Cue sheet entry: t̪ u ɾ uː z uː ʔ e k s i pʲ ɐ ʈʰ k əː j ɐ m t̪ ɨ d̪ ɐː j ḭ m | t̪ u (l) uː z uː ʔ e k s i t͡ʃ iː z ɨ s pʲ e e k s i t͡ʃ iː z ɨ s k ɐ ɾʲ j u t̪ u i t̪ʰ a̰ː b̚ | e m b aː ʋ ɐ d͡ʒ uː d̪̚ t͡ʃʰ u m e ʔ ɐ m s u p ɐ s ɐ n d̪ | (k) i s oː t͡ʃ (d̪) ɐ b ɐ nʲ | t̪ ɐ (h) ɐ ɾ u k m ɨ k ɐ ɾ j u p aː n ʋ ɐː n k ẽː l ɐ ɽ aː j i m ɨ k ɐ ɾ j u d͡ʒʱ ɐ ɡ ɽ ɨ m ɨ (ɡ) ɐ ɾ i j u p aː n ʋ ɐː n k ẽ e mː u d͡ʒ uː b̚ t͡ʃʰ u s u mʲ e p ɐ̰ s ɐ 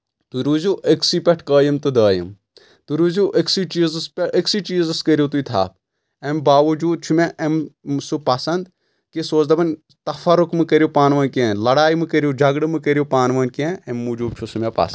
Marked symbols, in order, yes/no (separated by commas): no, yes, yes, no, no